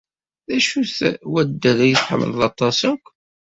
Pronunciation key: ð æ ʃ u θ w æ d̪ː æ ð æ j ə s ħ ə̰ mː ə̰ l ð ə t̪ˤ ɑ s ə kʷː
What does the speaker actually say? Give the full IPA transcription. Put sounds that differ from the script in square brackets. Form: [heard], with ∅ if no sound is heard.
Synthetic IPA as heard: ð æ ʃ u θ w æ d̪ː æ ð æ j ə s ħ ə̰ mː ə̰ l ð [ɑ] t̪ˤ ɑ s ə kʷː